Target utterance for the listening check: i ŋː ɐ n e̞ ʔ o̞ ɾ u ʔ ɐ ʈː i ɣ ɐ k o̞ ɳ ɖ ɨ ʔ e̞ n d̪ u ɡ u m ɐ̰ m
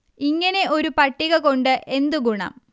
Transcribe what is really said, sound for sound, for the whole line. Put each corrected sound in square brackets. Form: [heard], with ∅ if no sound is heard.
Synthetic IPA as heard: i ŋː ɐ n e̞ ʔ o̞ ɾ u [p] ɐ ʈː i ɣ ɐ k o̞ ɳ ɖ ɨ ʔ e̞ n d̪ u ɡ u [ɳ] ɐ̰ m